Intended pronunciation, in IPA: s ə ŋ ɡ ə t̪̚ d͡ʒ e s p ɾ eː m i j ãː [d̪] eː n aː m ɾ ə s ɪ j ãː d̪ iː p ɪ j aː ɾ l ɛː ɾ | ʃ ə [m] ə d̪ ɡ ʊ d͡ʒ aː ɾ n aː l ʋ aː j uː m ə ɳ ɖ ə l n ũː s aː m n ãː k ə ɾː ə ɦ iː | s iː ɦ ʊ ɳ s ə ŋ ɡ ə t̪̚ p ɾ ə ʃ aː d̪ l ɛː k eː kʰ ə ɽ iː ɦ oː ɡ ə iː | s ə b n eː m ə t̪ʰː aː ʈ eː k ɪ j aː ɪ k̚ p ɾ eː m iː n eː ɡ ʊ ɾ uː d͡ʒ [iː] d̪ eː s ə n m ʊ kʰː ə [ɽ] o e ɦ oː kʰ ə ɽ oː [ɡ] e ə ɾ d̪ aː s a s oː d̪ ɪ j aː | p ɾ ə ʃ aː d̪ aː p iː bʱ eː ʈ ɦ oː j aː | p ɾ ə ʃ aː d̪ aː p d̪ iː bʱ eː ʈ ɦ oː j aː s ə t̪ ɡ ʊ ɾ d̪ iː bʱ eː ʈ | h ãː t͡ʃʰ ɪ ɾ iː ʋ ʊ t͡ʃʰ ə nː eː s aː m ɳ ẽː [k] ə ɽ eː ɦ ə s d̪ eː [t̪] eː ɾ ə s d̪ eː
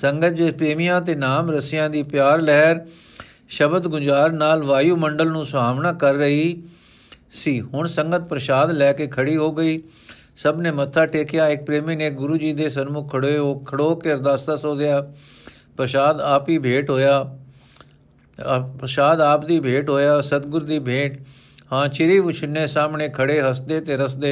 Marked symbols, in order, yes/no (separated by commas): no, no, yes, yes, no, no, yes